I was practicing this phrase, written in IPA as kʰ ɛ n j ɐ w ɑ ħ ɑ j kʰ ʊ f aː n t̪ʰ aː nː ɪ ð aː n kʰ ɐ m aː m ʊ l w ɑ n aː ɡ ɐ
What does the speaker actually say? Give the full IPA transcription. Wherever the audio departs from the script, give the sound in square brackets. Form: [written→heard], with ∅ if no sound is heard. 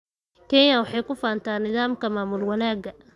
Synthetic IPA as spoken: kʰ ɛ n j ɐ w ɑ ħ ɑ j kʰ ʊ f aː n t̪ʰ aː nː ɪ ð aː [n→m] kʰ ɐ m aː m ʊ l w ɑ n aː ɡ ɐ